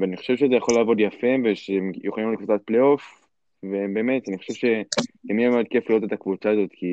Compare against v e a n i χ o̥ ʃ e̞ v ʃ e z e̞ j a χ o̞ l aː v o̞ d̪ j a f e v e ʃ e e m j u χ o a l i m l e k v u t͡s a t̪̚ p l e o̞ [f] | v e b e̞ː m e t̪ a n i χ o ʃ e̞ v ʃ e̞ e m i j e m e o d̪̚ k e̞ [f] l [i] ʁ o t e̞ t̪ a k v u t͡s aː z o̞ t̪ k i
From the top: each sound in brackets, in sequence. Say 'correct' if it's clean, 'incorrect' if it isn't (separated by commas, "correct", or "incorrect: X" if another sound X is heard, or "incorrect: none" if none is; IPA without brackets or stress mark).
correct, correct, correct